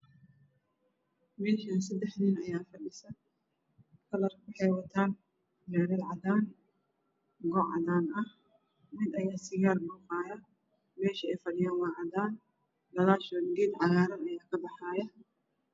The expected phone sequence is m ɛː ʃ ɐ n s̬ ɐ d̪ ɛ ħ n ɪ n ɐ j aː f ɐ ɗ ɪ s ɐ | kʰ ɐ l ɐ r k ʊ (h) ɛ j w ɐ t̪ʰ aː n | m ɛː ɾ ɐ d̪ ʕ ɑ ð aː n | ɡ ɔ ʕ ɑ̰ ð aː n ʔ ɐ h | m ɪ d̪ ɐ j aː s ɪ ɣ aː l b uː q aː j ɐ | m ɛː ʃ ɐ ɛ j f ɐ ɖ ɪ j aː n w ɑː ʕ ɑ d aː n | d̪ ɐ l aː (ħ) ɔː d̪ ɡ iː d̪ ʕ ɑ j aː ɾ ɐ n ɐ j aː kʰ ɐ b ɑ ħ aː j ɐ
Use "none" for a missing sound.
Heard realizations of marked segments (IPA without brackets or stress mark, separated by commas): ħ, ʃ